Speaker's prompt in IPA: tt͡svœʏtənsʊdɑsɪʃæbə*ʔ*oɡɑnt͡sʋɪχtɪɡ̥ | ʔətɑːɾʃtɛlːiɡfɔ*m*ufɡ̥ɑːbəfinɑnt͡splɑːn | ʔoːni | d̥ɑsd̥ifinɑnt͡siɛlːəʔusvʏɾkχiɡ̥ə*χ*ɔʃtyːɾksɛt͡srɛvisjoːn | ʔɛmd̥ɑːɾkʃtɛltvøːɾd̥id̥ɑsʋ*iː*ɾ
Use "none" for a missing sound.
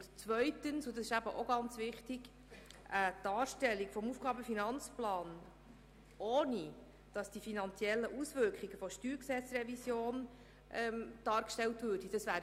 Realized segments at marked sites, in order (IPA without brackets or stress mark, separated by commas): ʔ, m, f, æː